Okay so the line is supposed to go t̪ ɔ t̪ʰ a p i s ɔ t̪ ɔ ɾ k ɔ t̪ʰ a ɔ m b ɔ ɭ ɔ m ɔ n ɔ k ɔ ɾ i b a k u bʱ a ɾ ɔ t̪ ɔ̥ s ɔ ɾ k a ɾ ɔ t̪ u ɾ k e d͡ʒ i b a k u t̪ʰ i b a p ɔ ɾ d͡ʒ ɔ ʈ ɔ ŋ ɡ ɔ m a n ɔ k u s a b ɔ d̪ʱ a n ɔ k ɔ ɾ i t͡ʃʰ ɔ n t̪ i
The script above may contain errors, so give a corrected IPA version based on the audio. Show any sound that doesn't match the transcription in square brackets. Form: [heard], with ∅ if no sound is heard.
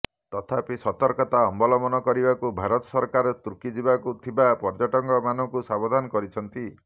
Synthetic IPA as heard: t̪ ɔ t̪ʰ a p i s ɔ t̪ ɔ ɾ k ɔ [t̪] a ɔ m b ɔ [l] ɔ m ɔ n ɔ k ɔ ɾ i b a k u bʱ a ɾ ɔ t̪ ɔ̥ s ɔ ɾ k a ɾ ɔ t̪ u ɾ k [i] d͡ʒ i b a k u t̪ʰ i b a p ɔ ɾ d͡ʒ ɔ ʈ ɔ ŋ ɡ ɔ m a n ɔ k u s a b ɔ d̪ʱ a n ɔ k ɔ ɾ i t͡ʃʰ ɔ n t̪ i